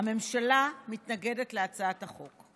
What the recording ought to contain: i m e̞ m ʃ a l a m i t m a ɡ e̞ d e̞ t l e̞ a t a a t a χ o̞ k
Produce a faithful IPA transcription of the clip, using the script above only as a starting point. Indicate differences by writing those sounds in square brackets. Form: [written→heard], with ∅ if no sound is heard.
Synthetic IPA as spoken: [i→a] m e̞ m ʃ a l a m i t [m→n] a ɡ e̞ d e̞ t l e̞ a [t→t͡s] a a t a χ o̞ k